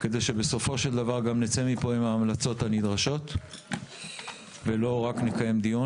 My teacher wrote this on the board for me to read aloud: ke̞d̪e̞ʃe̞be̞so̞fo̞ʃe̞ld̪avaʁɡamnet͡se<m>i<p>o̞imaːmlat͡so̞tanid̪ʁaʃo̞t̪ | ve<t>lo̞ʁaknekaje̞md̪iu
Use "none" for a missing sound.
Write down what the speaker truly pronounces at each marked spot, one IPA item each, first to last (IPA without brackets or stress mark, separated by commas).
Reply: m, p, none